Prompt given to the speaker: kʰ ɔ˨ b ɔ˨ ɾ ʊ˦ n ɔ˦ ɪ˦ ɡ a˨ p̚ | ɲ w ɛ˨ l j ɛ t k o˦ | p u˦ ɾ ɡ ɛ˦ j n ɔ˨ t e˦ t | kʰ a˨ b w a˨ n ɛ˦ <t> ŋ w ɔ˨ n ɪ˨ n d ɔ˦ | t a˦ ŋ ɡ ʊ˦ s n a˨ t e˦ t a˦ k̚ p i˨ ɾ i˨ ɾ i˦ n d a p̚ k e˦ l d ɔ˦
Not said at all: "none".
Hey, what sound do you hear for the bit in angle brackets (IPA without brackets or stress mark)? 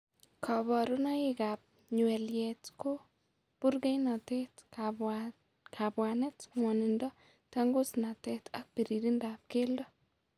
t